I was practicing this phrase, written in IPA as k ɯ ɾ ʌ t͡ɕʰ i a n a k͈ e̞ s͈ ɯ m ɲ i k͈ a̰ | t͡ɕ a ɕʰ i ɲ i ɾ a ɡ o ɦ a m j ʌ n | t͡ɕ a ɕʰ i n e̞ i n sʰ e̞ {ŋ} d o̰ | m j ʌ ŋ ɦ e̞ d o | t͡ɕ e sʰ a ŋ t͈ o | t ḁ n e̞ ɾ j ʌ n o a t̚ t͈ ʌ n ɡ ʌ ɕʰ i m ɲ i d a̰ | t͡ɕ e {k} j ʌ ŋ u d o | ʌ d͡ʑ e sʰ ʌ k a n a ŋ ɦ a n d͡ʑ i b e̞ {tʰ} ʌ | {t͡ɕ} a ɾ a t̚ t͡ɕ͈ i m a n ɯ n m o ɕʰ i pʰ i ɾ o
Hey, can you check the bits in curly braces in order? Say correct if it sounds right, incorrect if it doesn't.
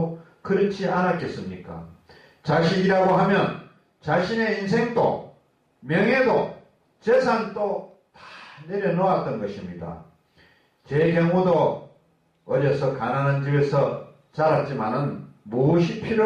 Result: correct, correct, incorrect: sʰ, correct

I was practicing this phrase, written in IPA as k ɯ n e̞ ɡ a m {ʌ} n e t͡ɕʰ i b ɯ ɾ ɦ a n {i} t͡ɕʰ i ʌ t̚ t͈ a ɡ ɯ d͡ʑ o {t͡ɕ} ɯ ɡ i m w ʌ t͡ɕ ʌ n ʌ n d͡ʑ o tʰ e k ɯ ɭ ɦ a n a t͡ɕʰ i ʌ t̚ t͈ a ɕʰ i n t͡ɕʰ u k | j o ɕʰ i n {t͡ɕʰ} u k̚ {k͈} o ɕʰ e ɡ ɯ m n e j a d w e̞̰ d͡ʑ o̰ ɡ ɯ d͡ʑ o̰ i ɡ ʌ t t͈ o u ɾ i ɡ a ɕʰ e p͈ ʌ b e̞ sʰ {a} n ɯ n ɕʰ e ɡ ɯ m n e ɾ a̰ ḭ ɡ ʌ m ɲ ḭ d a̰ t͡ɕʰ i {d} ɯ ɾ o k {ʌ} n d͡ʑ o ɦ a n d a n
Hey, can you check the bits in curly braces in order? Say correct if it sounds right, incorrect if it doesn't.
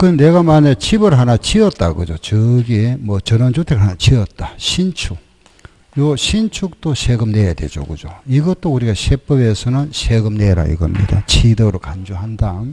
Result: incorrect: a, incorrect: a, correct, correct, incorrect: t͈, incorrect: ʌ, correct, incorrect: a

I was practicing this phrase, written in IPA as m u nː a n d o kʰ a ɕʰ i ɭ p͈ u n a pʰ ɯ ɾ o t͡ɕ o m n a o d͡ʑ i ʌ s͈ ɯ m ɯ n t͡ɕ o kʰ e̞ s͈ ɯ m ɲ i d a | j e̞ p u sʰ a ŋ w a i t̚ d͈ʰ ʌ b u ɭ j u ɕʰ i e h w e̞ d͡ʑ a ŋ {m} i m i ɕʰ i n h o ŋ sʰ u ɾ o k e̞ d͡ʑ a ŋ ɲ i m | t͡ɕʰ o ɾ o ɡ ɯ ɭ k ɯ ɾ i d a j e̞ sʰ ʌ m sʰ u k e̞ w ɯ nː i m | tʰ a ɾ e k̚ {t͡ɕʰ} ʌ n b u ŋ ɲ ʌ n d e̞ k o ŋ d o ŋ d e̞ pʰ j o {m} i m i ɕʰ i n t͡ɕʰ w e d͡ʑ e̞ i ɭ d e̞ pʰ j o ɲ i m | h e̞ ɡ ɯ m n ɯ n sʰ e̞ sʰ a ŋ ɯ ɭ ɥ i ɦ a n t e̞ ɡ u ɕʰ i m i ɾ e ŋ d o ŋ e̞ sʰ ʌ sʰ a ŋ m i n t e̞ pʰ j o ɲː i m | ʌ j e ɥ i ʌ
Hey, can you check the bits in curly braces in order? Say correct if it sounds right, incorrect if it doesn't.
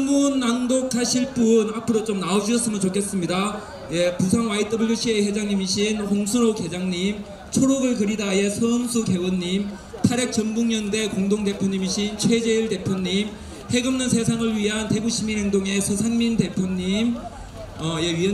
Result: incorrect: ɲ, incorrect: t͡ɕ, incorrect: ɲ

